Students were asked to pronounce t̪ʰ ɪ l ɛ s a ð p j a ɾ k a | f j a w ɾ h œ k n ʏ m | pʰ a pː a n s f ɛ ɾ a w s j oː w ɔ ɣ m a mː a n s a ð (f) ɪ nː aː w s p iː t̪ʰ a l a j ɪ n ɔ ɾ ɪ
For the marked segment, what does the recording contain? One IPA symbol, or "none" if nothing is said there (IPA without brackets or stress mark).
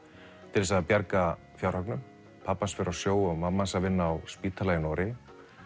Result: v